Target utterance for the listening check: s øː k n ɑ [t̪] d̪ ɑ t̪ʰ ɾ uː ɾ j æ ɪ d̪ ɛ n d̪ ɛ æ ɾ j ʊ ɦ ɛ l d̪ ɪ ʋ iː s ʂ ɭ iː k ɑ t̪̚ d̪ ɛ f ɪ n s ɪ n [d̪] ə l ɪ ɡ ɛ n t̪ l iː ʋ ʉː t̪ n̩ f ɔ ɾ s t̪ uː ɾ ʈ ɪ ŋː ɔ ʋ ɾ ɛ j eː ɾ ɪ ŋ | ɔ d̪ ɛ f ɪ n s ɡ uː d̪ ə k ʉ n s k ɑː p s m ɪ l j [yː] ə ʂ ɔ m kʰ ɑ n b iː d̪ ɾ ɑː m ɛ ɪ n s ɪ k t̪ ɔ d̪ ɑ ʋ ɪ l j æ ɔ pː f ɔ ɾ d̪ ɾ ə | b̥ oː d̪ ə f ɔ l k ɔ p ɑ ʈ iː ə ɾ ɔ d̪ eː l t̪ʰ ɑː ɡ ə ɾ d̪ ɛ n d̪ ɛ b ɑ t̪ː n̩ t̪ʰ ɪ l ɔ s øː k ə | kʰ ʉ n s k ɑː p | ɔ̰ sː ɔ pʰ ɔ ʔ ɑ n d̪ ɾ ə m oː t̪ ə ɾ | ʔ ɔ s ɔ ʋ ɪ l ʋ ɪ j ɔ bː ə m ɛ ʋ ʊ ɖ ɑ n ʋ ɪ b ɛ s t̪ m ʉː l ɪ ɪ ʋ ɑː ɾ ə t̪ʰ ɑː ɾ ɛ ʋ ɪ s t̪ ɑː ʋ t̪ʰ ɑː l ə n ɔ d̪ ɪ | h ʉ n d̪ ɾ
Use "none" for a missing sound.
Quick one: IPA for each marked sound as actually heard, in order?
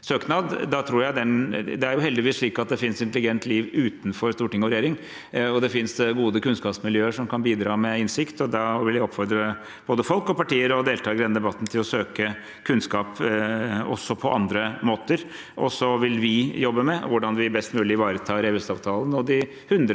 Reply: d̪, t̪, øː

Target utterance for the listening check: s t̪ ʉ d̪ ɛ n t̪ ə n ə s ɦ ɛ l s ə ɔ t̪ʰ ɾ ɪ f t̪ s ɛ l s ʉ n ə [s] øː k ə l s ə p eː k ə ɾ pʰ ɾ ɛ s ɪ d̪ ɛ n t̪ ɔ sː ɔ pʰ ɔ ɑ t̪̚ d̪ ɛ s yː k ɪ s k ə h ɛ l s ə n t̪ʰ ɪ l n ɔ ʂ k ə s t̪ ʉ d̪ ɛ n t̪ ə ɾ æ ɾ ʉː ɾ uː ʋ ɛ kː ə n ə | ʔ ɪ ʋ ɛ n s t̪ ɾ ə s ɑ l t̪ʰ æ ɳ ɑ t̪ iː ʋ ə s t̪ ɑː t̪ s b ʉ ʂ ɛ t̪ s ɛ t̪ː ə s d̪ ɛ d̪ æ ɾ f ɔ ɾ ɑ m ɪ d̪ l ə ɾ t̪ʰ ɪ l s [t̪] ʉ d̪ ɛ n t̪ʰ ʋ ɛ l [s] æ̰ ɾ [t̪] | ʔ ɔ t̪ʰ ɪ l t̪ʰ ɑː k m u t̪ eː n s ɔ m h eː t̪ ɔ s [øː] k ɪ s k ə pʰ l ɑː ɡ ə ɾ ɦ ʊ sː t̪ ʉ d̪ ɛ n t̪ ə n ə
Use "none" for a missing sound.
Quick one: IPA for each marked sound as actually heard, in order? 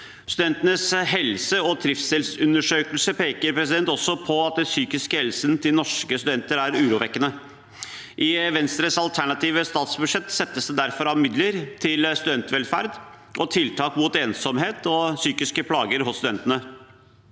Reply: ʂ, t̪, f, d̪, yː

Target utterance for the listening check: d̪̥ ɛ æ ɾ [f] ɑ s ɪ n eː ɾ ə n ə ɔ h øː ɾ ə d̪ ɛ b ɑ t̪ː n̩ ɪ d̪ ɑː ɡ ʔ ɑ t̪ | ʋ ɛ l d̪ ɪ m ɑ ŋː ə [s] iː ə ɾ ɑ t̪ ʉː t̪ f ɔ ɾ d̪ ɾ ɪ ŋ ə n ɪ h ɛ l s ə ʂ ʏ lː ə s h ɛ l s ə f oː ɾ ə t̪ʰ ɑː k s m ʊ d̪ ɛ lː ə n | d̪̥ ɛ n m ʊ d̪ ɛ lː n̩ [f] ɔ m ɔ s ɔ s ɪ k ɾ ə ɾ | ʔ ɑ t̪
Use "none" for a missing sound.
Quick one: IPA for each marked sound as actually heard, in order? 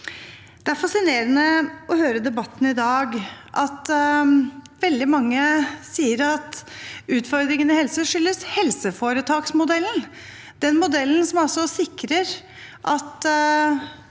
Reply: f, s, s

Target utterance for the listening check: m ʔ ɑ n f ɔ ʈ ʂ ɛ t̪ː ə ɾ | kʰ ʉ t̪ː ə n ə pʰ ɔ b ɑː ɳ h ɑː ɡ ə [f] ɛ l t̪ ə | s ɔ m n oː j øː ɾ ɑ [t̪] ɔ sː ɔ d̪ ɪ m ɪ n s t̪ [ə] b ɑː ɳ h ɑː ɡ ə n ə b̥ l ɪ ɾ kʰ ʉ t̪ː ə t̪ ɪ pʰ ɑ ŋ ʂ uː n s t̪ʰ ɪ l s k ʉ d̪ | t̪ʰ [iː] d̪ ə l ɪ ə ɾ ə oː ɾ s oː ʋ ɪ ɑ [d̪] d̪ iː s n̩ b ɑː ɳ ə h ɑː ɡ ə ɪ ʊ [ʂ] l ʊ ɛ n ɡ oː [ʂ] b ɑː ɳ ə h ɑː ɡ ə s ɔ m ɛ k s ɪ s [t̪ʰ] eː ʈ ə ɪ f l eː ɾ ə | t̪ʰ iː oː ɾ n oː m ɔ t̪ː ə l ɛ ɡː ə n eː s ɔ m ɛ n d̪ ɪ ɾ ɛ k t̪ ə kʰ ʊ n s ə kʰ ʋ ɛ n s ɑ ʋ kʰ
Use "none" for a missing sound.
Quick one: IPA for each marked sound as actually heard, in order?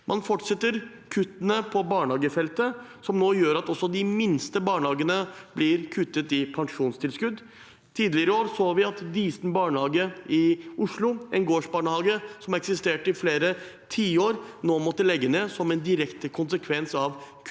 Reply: f, t̪, ə, iː, t̪, ʂ, ʂ, t̪

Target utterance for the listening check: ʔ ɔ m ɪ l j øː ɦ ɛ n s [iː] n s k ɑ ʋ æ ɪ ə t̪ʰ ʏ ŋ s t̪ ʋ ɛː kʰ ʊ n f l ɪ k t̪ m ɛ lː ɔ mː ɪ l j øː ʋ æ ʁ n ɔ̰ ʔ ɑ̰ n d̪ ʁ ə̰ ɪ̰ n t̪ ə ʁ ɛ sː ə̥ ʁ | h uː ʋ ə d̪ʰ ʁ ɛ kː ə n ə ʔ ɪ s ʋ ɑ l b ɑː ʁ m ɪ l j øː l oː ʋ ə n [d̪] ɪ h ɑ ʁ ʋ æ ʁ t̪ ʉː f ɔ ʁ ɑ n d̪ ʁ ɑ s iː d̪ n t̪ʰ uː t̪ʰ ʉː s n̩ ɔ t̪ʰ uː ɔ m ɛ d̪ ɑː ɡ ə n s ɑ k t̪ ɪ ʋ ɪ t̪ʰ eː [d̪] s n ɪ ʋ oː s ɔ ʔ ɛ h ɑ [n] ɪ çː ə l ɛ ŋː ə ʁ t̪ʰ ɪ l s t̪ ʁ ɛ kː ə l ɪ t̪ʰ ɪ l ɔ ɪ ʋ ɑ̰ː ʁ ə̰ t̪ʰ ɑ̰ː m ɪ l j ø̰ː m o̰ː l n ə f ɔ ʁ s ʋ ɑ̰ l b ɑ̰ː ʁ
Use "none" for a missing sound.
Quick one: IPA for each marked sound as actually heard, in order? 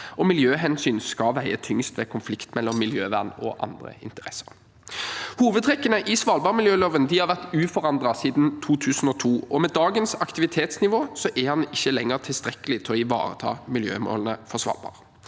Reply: yː, d̪, t̪, n

